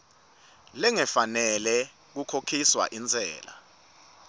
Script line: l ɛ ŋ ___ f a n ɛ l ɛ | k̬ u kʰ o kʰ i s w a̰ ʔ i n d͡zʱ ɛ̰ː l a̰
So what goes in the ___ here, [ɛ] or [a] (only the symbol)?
ɛ